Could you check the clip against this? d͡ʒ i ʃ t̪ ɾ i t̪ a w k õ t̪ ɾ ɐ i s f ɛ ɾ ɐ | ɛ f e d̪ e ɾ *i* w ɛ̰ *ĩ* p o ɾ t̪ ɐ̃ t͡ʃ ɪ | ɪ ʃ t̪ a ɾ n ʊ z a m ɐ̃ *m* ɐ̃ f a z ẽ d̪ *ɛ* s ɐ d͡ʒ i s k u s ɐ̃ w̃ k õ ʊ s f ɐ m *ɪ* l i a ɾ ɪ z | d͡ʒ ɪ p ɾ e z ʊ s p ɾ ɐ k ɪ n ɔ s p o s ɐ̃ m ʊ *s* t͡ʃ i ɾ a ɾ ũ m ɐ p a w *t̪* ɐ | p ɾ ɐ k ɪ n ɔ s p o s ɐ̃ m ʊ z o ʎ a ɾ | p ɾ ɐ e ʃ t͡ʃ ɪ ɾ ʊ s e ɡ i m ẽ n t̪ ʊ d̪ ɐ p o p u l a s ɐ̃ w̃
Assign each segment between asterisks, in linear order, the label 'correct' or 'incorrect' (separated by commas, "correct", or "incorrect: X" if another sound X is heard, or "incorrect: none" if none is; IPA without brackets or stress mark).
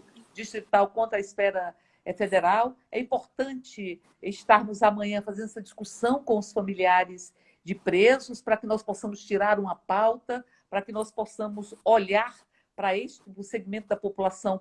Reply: incorrect: a, correct, incorrect: ɲ, correct, incorrect: i, correct, correct